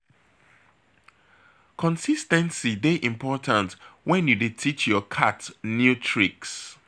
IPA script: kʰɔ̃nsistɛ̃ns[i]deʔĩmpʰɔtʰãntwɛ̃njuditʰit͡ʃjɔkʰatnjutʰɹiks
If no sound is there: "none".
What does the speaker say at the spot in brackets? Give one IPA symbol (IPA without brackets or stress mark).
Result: i